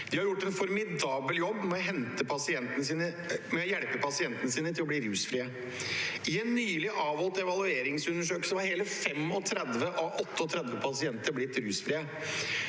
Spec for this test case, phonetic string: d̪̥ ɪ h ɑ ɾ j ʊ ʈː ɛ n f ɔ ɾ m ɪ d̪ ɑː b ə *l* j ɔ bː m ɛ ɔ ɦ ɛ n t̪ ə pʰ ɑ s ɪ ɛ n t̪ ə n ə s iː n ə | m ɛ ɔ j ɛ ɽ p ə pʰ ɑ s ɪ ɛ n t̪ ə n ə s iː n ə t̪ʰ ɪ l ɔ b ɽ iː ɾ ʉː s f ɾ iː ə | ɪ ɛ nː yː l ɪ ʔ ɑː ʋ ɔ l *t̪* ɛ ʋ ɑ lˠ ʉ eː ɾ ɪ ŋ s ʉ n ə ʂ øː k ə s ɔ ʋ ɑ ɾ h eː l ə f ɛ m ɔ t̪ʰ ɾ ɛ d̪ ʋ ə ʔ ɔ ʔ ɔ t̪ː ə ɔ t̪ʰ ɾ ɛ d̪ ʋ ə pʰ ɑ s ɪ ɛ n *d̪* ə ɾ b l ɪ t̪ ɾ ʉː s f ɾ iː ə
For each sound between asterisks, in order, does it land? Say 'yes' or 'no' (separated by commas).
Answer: yes, yes, no